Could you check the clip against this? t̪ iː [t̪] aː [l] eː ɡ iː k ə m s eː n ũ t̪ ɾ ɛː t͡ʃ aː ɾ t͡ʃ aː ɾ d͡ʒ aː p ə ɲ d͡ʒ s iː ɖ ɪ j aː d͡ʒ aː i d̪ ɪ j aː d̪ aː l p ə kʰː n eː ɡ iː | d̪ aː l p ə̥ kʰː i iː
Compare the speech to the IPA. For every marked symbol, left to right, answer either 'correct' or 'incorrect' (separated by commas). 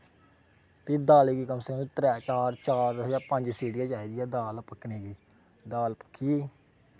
incorrect, correct